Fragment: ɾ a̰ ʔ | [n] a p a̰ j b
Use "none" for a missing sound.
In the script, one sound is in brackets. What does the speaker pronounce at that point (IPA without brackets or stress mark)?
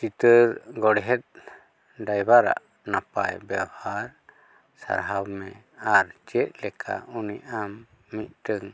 n